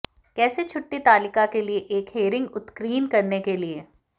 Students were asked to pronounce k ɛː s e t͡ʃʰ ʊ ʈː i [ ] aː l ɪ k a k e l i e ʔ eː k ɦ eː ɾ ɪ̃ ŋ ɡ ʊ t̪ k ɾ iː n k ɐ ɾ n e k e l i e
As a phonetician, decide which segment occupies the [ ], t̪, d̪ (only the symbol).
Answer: t̪